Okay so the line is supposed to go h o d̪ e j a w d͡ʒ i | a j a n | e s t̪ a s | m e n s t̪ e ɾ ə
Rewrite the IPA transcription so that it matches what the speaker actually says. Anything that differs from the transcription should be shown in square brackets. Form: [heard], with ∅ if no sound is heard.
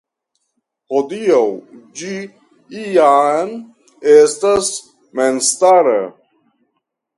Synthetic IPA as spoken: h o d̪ [i] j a w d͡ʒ i | [i] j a n | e s t̪ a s | m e n s t̪ [a] ɾ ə